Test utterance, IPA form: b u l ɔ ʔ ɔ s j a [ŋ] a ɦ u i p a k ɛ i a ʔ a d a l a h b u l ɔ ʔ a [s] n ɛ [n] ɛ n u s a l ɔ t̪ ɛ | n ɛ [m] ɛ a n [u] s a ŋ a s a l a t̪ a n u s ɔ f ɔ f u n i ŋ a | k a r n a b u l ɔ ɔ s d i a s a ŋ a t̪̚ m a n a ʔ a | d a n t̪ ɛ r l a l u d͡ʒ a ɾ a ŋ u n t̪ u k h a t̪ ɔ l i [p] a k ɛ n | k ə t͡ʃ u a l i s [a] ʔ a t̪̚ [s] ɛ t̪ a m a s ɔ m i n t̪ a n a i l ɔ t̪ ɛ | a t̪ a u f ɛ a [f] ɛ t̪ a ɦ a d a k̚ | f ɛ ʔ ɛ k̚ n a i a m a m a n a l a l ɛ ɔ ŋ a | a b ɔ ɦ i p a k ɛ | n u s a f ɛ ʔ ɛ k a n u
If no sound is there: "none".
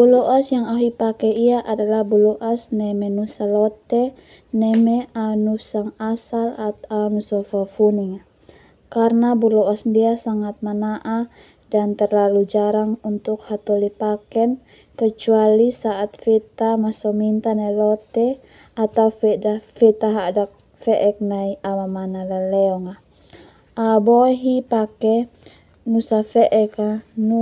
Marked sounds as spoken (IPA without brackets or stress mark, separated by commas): ŋ, s, m, m, u, p, a, f, f